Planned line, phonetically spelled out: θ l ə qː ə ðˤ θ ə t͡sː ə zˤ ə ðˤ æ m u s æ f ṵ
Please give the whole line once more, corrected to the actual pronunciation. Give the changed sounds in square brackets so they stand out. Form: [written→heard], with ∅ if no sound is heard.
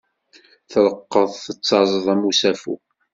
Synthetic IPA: θ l ə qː ə ðˤ θ ə t͡sː [ə→ɑ] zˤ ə ðˤ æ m u s æ f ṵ